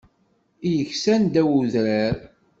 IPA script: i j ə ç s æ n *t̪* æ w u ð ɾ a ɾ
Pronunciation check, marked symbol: incorrect: d̪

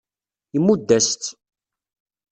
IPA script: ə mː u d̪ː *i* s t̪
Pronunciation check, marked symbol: incorrect: æ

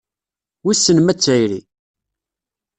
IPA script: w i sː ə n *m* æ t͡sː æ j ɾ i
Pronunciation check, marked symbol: correct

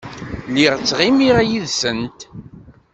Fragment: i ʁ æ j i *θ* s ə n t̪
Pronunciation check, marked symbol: incorrect: ð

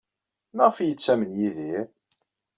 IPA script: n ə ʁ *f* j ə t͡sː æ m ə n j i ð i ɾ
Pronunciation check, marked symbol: correct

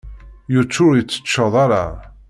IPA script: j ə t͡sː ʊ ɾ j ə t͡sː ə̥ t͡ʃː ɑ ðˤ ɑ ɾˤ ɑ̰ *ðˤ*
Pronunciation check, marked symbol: incorrect: none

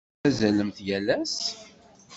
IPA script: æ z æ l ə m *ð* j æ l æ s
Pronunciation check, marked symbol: incorrect: θ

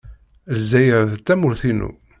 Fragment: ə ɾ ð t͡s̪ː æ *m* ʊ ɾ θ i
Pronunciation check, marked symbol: correct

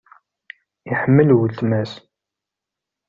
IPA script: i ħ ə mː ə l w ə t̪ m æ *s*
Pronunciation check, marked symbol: correct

